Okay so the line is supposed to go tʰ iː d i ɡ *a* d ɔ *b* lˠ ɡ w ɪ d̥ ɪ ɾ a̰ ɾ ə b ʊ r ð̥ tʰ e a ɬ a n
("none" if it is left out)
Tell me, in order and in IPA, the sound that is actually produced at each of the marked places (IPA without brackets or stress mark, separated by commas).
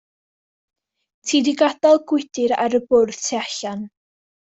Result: a, none